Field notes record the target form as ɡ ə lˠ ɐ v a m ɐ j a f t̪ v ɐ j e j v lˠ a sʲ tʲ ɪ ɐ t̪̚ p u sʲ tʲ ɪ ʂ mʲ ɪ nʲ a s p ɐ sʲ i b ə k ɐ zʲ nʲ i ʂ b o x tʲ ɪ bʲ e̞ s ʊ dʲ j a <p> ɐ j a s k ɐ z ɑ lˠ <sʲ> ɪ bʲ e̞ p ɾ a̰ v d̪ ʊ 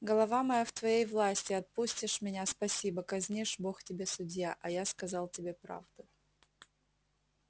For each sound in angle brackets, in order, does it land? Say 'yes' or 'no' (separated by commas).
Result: no, no